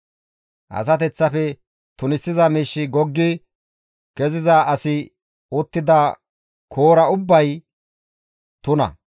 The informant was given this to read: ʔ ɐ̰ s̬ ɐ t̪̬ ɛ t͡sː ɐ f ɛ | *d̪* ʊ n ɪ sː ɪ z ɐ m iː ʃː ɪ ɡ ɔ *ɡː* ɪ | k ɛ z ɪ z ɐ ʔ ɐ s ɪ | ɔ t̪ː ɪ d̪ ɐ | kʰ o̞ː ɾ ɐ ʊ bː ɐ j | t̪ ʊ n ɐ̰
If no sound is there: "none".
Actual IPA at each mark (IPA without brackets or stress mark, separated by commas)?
t̪, ɡː